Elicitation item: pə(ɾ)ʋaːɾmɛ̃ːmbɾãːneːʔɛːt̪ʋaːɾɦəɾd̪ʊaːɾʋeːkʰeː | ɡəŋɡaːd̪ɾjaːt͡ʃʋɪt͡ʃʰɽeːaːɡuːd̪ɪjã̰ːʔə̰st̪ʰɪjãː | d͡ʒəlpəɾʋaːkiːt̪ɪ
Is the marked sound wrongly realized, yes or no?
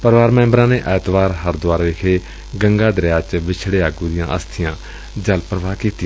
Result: no